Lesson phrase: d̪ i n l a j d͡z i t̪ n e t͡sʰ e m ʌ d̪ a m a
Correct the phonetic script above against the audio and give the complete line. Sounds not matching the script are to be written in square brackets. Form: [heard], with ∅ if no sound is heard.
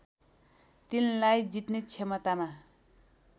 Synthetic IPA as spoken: [t̪] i n l a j d͡z i t̪ n e t͡sʰ e m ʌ [t̪] a m a